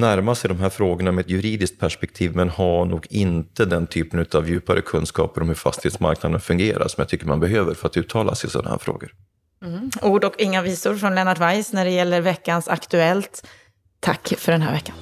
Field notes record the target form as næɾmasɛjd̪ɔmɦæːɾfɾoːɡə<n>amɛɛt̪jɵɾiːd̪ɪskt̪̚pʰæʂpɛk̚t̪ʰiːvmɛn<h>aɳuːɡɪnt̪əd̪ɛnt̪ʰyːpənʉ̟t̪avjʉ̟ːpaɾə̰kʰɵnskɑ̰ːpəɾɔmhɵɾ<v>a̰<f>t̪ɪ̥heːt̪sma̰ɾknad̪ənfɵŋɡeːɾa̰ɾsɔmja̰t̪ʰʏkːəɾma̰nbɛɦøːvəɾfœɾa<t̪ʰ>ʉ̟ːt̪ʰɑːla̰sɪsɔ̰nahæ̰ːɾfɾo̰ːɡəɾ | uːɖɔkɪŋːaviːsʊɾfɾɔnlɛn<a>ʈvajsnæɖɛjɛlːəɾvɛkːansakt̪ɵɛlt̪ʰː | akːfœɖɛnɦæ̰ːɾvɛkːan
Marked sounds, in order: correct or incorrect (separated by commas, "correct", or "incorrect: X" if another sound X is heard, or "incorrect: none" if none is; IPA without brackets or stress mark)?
incorrect: ɳ, correct, incorrect: f, incorrect: s, incorrect: t̪, correct